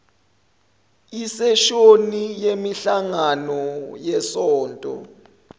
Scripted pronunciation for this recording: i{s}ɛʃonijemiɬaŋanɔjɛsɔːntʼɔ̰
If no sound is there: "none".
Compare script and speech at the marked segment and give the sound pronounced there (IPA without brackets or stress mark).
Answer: s